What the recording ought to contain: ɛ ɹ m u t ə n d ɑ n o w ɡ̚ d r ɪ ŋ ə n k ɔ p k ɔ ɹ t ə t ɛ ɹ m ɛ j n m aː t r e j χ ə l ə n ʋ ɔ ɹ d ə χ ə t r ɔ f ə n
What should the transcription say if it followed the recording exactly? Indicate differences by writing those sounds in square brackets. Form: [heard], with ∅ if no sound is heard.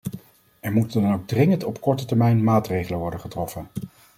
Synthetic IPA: ɛ ɹ m u t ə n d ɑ n o w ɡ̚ d r ɪ ŋ ə n [t] ɔ p k ɔ ɹ t ə t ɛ ɹ m ɛ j n m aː t r e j χ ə l ə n ʋ ɔ ɹ d ə χ ə t r ɔ f ə n